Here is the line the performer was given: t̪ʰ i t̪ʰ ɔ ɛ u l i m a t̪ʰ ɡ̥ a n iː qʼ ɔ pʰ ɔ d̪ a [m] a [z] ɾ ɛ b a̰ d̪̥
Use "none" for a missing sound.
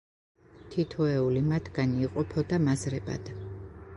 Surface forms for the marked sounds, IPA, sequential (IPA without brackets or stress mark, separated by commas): m, z